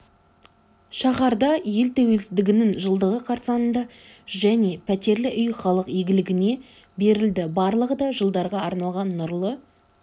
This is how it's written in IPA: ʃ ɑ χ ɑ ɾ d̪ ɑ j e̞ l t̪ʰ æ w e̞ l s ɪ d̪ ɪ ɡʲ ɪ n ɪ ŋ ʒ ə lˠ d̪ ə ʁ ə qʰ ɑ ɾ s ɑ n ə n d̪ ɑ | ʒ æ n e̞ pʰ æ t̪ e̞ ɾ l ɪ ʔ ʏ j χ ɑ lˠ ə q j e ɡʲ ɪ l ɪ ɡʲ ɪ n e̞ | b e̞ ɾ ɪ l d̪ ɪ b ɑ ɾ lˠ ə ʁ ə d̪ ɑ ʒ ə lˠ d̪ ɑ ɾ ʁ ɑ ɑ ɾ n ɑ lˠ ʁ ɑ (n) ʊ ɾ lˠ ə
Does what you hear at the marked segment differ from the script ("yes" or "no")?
yes